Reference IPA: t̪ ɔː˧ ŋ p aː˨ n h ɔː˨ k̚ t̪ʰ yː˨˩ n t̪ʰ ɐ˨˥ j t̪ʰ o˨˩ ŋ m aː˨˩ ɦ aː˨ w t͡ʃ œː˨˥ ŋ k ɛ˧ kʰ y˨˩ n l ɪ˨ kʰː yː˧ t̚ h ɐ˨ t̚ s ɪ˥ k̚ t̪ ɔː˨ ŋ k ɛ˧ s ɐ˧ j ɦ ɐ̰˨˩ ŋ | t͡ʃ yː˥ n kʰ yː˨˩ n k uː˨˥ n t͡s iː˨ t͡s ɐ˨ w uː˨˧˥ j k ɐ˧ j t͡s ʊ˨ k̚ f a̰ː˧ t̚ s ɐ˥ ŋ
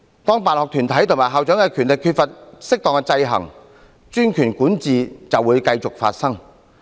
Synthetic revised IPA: t̪ ɔː˥ ŋ p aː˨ n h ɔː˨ k̚ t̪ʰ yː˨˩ n t̪ʰ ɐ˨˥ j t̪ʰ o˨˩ ŋ m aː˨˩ ɦ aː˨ w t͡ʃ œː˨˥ ŋ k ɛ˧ kʰ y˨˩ n l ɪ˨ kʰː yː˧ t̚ f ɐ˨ t̚ s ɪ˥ k̚ t̪ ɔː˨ ŋ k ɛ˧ t͡s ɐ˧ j ɦ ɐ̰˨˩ ŋ | t͡ʃ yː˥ n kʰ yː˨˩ n k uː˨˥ n t͡s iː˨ t͡s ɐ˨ w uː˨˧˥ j k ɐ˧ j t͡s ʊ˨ k̚ f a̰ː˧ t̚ s ɐ˥ ŋ